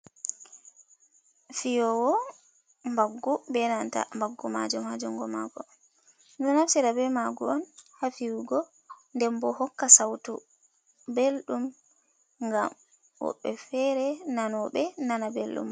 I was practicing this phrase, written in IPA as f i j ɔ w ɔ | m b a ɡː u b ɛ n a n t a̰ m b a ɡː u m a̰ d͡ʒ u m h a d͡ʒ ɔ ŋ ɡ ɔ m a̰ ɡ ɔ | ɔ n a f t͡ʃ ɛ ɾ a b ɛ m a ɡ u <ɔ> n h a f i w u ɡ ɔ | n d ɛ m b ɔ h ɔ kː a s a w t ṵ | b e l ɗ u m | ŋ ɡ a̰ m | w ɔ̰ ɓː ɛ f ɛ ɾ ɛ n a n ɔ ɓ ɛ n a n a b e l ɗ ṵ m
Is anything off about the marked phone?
no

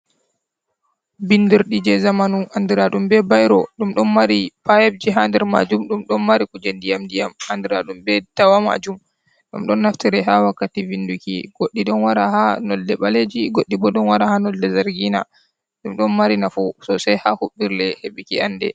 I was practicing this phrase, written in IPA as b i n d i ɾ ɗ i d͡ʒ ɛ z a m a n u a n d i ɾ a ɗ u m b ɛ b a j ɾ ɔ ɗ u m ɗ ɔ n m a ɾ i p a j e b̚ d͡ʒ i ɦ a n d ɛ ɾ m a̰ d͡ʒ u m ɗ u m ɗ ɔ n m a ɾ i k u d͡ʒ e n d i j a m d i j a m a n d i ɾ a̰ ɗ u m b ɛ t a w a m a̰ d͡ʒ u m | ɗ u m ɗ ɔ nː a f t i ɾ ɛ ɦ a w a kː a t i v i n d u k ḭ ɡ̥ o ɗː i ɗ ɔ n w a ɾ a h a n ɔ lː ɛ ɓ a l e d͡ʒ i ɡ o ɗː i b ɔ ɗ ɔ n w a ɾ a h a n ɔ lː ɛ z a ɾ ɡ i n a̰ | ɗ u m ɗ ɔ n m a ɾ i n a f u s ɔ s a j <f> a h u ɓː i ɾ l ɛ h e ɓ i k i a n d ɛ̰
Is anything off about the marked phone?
yes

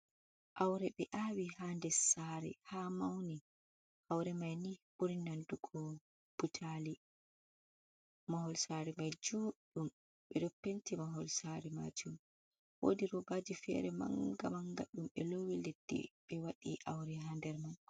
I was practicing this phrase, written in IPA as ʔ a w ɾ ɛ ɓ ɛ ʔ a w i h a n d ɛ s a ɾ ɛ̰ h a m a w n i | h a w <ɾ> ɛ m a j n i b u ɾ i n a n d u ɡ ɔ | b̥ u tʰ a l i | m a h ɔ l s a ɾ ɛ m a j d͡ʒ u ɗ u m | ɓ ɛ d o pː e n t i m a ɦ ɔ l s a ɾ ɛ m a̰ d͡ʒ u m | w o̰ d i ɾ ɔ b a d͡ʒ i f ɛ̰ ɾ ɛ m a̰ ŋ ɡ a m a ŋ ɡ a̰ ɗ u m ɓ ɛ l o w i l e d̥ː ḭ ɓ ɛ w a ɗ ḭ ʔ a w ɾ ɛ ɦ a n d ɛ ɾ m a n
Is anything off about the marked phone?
no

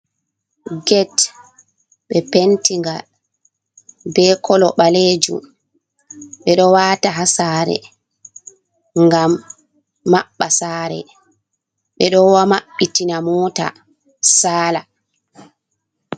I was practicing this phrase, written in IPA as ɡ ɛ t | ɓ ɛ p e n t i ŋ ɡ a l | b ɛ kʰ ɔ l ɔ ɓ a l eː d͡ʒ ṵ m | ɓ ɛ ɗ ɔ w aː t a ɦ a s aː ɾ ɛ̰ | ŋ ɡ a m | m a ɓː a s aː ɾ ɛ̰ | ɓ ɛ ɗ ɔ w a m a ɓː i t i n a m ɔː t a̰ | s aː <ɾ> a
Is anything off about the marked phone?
yes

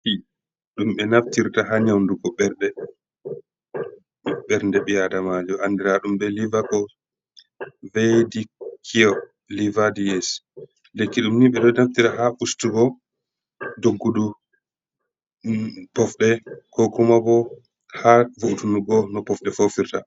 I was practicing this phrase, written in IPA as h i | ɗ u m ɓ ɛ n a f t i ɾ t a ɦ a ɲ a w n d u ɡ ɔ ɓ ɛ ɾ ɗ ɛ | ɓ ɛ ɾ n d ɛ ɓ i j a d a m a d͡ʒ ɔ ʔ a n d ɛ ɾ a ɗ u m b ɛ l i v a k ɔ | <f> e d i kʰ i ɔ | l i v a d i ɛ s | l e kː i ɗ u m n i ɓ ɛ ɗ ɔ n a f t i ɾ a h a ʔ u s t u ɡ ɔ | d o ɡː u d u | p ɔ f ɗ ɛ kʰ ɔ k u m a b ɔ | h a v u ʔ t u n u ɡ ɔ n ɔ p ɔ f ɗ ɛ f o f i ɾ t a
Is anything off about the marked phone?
yes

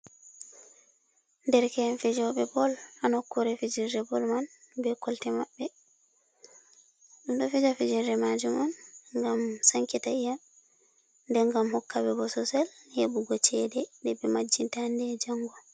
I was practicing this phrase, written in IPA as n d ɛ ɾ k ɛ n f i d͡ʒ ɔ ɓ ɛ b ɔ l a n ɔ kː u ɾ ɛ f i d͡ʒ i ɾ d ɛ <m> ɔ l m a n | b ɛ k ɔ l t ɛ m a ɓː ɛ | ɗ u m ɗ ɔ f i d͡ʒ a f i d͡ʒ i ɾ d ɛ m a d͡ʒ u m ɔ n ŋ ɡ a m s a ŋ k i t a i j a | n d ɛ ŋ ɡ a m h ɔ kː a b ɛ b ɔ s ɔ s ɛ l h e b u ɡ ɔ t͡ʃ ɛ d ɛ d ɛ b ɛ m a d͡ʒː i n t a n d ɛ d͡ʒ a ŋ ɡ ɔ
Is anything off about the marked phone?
yes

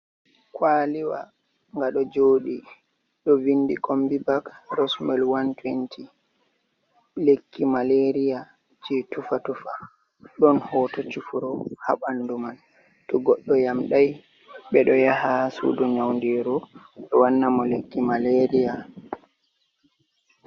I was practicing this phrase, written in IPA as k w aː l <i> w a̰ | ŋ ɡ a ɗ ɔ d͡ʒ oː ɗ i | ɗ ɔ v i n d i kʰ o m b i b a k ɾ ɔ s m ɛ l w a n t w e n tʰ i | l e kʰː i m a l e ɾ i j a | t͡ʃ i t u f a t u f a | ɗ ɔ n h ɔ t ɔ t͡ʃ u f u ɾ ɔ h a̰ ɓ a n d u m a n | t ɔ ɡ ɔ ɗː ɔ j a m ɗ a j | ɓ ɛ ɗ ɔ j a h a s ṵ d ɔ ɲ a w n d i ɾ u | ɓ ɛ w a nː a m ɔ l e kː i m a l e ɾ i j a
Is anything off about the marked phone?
no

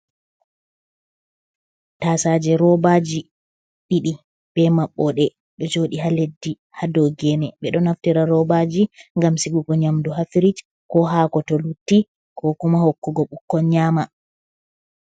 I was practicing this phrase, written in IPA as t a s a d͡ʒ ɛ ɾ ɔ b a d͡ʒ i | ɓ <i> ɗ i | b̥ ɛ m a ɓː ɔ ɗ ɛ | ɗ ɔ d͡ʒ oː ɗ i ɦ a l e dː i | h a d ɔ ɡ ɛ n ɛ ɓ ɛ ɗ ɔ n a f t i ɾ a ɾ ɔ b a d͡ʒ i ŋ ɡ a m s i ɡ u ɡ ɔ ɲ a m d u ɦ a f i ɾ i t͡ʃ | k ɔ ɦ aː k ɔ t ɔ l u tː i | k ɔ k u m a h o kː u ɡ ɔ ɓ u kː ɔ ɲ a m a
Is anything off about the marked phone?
no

